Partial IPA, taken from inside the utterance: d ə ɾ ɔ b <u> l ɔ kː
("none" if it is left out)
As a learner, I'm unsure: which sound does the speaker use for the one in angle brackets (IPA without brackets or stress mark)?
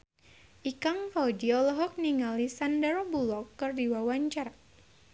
u